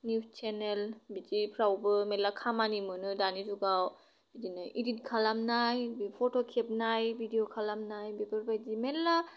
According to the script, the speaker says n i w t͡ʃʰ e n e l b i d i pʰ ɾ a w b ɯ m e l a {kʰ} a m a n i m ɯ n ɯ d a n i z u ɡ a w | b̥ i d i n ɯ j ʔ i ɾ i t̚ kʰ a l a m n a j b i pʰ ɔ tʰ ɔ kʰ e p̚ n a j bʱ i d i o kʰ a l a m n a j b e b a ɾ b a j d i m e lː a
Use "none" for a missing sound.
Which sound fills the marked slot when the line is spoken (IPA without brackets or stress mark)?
kʰ